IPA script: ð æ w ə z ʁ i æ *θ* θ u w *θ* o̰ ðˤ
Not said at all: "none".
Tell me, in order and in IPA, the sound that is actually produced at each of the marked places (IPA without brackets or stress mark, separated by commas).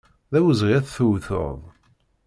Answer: θ, θ